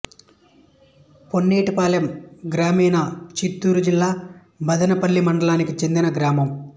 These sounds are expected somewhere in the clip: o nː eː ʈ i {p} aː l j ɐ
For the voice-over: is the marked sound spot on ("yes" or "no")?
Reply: yes